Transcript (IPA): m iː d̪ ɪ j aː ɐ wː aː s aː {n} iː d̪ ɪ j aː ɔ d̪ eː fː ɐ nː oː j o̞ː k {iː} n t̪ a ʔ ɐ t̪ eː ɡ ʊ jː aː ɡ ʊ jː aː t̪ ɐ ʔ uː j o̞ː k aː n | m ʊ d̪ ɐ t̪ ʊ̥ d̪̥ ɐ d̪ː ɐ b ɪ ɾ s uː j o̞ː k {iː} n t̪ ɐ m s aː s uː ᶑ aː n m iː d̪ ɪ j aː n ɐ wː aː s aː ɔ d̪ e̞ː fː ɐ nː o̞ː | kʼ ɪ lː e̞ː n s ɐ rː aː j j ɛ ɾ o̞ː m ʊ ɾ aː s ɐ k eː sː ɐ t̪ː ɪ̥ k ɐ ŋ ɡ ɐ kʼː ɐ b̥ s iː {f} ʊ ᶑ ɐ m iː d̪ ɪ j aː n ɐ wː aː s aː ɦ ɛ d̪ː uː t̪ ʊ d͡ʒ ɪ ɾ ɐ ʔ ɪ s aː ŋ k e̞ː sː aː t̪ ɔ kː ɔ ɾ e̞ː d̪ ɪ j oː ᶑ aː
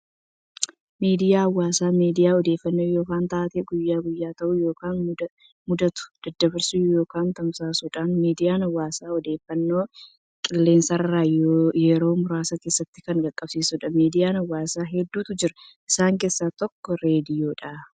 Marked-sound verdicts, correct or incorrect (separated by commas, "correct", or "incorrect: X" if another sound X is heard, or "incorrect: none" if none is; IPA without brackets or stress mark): incorrect: m, incorrect: aː, incorrect: aː, incorrect: s